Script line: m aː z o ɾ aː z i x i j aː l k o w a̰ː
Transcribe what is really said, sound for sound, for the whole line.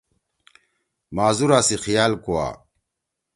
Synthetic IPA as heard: m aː z u ɾ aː s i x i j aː l k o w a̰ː